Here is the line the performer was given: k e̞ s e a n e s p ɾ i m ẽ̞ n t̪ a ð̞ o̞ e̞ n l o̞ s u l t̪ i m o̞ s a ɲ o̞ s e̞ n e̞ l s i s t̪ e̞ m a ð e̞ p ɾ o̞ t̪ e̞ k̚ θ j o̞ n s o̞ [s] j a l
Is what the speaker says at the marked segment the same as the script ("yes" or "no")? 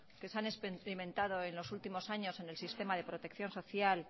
no